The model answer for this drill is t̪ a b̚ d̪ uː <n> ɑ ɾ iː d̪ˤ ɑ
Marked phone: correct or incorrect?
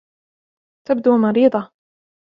incorrect